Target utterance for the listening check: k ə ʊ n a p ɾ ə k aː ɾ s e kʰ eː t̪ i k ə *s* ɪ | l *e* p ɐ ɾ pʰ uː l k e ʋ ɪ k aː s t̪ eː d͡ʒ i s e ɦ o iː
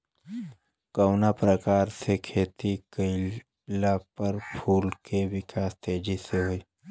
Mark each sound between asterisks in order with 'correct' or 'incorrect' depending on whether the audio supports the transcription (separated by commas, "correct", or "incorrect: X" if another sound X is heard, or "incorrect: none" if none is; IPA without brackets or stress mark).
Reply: incorrect: none, incorrect: a